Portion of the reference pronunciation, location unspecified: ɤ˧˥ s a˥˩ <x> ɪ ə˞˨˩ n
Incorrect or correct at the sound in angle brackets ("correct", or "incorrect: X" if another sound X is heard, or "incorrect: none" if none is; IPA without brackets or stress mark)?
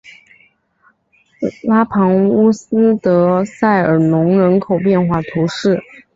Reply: incorrect: none